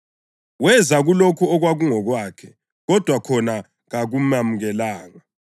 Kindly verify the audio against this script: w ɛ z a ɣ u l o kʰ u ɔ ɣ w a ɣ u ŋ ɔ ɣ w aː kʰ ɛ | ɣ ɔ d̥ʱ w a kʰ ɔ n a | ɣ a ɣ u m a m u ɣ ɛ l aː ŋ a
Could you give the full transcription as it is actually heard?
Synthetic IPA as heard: w ɛ z a ɣ u l o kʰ u ɔ ɣ w a ɣ u ŋ ɔ ɣ w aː kʰ ɛ | ɣ ɔ d̥ʱ w a kʰ ɔ n a | ɣ a ɣ u m a m u ɣ ɛ l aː ŋ a